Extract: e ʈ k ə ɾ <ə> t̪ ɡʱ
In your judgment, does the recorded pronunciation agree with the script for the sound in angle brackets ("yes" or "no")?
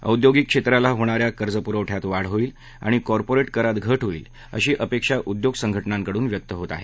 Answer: no